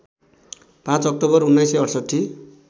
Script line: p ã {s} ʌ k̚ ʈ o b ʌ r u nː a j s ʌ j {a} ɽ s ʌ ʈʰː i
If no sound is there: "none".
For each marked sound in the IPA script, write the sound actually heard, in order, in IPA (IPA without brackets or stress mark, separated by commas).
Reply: t͡s, ʌ